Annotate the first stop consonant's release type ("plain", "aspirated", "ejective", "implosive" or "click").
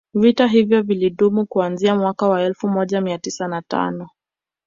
plain